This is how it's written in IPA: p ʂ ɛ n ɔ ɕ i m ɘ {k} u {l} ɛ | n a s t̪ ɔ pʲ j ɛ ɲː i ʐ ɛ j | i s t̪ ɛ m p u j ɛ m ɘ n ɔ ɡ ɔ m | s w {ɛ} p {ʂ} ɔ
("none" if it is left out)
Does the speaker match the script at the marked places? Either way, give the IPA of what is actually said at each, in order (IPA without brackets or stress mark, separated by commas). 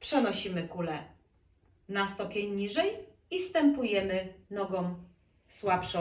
k, l, a, ʂ